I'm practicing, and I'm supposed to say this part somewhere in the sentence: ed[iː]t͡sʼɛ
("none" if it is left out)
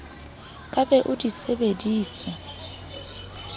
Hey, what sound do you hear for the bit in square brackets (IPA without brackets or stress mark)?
iː